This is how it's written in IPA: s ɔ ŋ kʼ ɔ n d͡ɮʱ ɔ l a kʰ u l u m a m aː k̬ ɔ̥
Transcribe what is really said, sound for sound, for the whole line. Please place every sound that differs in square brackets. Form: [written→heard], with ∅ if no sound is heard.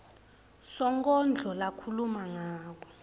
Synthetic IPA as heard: s ɔ ŋ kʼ ɔ n d͡ɮʱ ɔ l a kʰ u l u m a [m→ŋ] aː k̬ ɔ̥